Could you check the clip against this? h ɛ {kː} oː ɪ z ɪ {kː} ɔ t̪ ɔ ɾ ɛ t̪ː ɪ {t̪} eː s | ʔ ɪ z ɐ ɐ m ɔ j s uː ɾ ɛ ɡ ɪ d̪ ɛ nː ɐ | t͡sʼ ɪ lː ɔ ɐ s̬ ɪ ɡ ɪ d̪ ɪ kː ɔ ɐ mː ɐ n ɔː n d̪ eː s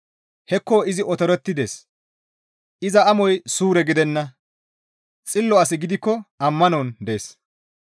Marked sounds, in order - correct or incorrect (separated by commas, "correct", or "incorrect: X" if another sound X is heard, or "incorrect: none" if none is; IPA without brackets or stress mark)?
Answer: correct, incorrect: none, incorrect: d̪